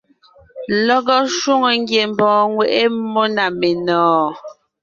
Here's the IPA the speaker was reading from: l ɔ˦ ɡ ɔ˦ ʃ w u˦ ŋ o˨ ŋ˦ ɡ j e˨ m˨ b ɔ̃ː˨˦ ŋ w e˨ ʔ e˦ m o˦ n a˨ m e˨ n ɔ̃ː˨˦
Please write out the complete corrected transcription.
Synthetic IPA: l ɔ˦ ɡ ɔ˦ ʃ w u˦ ŋ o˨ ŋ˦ ɡ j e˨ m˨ b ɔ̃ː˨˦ ŋ w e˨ ʔ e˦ m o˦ n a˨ m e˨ n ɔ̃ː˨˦